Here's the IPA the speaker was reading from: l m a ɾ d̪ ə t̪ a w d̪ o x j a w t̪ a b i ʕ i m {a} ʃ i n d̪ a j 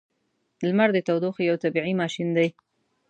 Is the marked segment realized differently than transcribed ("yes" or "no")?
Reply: yes